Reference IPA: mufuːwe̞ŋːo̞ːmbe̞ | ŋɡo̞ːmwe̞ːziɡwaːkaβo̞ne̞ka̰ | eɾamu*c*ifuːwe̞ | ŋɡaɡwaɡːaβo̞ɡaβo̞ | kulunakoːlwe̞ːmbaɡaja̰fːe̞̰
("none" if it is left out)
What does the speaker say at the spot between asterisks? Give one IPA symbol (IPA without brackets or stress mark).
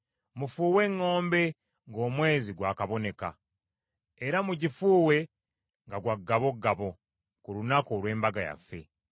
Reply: ɟ